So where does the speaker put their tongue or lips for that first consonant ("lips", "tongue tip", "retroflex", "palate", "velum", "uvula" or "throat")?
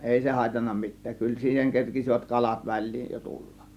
throat